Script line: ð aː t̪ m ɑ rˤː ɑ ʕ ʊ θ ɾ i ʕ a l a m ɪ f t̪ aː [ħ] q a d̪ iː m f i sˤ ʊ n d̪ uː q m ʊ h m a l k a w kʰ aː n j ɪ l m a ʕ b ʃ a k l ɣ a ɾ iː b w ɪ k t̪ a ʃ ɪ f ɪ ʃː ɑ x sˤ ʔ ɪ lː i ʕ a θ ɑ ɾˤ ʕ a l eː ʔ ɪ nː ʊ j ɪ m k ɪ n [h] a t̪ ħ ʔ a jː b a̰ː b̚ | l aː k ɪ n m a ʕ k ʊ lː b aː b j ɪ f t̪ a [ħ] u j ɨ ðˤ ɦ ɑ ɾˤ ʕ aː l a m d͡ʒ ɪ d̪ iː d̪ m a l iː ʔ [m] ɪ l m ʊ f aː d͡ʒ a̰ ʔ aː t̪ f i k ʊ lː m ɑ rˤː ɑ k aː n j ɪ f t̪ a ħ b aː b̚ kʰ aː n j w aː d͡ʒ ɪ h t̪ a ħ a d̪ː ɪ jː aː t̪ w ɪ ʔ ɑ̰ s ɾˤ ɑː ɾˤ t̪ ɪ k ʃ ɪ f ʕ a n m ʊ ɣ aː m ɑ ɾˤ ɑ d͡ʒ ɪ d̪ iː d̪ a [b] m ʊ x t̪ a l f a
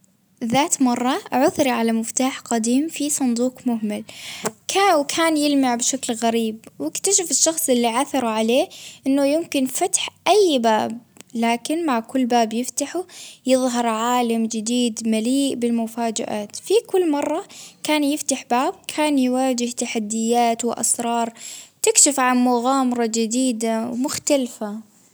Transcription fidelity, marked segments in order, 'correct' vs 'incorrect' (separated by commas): correct, incorrect, correct, incorrect, incorrect